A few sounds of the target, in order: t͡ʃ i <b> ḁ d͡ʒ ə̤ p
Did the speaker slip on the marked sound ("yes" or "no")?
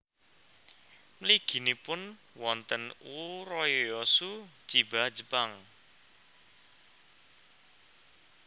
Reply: no